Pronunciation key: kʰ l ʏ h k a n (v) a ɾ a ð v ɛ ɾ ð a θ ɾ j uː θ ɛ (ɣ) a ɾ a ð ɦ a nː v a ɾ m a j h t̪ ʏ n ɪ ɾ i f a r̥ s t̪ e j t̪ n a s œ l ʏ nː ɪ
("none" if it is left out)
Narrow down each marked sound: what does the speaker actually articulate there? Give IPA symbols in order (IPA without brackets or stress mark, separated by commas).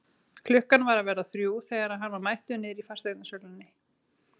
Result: v, ɣ